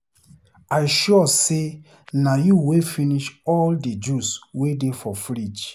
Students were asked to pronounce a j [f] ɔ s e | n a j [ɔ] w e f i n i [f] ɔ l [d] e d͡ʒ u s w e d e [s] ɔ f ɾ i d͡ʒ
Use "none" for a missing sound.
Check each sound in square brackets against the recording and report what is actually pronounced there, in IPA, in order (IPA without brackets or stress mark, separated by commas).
ʃ, u, ʃ, d, f